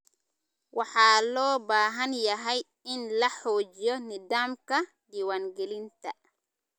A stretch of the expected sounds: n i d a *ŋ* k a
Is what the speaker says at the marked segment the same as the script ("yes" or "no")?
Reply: no